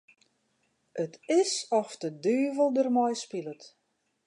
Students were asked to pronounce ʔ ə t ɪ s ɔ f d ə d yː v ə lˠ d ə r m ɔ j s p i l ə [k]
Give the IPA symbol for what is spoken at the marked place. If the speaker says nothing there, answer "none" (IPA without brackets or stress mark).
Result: t